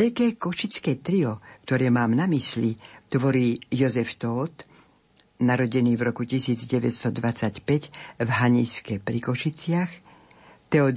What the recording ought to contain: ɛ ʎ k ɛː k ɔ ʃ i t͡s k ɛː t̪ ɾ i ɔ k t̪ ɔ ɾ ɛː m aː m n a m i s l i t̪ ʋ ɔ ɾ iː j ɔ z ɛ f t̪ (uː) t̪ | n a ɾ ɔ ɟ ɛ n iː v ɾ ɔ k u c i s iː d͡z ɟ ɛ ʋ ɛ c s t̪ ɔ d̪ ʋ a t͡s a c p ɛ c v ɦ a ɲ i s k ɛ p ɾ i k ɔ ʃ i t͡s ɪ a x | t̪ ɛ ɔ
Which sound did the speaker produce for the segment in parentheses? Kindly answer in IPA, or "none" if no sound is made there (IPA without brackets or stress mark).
ɔː